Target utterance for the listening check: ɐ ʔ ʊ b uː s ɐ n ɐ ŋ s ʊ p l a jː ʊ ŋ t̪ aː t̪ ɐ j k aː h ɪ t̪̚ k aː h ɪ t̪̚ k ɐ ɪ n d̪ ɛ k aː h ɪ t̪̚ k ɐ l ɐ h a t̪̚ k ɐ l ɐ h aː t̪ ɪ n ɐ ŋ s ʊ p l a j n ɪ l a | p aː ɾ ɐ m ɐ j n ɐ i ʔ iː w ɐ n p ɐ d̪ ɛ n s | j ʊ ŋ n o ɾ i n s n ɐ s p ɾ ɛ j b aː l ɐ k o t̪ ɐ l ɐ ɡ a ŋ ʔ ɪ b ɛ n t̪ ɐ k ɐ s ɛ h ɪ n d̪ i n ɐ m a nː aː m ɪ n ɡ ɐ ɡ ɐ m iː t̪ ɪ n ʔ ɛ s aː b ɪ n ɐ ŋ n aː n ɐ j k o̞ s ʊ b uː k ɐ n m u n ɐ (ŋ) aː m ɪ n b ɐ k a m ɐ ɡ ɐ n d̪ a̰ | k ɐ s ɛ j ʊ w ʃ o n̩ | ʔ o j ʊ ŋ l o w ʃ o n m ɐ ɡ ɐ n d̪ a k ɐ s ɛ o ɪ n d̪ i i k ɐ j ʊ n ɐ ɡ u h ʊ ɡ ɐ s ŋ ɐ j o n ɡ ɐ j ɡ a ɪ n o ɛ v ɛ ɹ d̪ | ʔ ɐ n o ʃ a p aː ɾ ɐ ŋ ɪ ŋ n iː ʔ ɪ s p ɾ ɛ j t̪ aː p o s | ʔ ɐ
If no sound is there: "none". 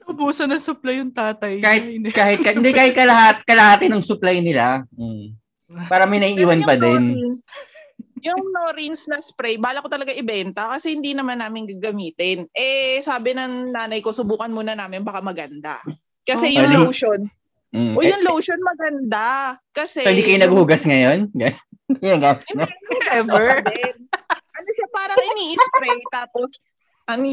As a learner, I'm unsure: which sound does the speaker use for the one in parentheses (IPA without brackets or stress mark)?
n